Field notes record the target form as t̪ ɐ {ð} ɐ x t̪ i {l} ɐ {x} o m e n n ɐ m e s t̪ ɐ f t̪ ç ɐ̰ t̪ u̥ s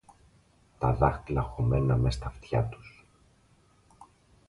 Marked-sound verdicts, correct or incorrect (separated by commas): correct, correct, correct